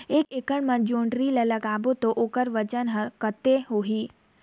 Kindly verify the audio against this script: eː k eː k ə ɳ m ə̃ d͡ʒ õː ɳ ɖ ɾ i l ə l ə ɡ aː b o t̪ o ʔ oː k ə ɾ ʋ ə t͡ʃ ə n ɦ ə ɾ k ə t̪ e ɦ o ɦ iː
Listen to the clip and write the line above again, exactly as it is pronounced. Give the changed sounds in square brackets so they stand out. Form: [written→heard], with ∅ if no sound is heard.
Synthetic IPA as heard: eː k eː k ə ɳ m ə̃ d͡ʒ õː ɳ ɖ ɾ i l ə l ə ɡ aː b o t̪ o ʔ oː k ə ɾ ʋ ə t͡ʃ ə n ɦ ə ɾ k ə t̪ e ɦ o ɦ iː